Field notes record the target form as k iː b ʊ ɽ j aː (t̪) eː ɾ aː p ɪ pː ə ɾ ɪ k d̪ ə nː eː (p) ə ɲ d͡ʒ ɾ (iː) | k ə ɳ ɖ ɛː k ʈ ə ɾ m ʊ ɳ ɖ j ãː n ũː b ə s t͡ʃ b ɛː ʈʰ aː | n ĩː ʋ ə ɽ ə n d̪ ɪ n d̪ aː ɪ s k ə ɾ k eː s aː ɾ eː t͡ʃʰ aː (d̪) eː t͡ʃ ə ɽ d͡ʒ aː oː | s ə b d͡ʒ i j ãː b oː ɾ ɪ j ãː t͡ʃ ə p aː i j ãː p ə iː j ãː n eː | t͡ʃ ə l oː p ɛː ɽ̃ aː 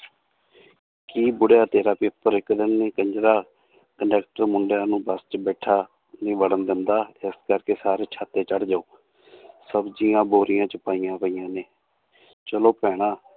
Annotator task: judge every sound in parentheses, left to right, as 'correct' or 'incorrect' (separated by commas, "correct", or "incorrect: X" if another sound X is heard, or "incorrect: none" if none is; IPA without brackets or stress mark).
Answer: correct, incorrect: k, incorrect: aː, incorrect: t̪